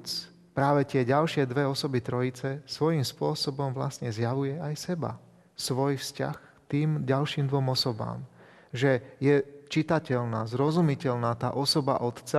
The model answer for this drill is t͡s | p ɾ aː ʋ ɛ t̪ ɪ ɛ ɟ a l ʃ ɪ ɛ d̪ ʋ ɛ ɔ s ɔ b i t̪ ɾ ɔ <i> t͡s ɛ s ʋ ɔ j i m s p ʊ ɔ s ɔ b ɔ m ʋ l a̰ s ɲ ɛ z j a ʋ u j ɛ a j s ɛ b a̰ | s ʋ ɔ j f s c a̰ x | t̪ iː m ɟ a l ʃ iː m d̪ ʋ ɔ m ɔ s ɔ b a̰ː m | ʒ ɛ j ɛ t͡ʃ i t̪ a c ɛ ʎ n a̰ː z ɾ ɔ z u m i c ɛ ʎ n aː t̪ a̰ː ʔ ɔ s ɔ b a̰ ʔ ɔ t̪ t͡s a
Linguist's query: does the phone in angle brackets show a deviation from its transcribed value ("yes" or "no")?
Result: no